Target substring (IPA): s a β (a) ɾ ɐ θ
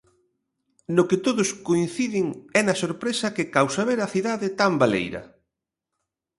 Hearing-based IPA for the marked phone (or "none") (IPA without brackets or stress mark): e